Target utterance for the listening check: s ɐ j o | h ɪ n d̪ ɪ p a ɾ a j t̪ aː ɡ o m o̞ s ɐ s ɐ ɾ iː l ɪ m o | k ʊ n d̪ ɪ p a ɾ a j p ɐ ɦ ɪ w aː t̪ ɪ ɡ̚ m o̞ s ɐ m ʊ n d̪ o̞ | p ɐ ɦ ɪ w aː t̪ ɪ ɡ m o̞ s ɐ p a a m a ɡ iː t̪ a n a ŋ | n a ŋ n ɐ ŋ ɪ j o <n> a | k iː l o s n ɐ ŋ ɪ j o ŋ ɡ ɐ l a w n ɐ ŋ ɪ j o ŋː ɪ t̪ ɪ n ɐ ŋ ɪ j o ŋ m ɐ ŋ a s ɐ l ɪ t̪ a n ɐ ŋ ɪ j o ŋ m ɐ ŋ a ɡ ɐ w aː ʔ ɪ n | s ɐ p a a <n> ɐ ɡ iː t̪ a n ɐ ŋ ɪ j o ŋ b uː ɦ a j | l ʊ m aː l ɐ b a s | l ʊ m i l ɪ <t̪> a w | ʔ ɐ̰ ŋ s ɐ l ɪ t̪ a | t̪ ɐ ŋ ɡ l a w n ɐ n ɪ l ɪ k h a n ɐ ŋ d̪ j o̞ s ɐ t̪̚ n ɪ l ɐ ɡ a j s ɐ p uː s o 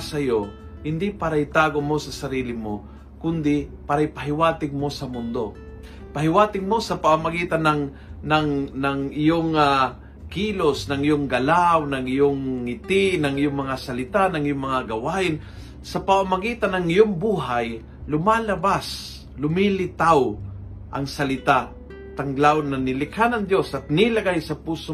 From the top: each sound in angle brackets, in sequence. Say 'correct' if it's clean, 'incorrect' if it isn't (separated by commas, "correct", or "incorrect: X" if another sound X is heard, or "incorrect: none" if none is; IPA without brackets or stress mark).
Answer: incorrect: ŋ, incorrect: m, correct